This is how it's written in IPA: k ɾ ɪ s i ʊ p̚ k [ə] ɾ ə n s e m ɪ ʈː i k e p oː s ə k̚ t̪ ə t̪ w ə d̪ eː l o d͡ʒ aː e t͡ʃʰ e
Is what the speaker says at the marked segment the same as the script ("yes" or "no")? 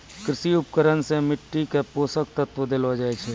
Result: yes